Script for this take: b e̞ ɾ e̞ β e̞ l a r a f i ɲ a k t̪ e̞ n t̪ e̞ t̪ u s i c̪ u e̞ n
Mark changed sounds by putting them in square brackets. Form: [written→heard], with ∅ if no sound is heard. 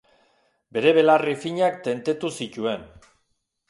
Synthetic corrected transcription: b e̞ ɾ e̞ β e̞ l a r [a→i] f i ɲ a k t̪ e̞ n t̪ e̞ t̪ u s i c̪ u e̞ n